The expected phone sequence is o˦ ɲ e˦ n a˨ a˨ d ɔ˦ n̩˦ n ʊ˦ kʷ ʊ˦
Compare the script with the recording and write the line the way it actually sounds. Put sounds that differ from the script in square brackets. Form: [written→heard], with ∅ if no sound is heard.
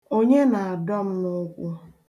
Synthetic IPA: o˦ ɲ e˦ n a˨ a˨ d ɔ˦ [n̩˦→m̩˦] n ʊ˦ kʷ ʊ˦